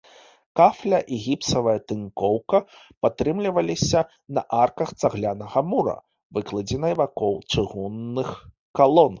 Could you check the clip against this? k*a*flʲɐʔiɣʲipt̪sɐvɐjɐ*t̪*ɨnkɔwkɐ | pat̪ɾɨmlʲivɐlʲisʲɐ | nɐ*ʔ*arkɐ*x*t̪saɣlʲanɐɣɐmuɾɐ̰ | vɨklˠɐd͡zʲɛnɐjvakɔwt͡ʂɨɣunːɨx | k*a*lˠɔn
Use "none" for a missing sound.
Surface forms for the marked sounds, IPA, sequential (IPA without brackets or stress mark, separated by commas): a, t̪, ʔ, x, a